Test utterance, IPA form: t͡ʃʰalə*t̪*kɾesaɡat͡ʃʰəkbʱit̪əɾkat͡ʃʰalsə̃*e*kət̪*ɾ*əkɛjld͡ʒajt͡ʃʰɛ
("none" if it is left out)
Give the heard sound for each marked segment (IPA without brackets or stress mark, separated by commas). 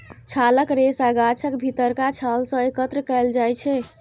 none, e, ɾ